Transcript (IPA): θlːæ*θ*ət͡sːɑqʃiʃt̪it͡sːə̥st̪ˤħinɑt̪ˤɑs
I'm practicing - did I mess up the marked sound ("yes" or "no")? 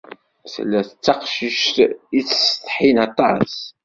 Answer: no